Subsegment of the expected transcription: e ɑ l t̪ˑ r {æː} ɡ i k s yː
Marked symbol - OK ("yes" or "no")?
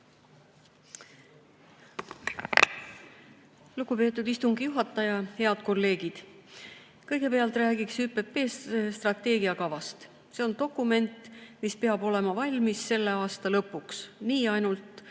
yes